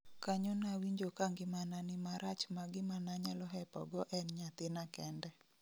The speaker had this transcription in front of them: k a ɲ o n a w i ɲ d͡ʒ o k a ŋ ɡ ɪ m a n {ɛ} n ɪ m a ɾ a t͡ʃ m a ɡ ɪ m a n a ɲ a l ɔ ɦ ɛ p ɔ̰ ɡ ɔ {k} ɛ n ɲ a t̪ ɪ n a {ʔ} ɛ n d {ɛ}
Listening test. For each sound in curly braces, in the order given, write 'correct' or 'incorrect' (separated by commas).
incorrect, incorrect, incorrect, correct